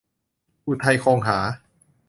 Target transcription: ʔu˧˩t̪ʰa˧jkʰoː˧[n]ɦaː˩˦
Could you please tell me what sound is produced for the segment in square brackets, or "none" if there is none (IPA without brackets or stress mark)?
ŋ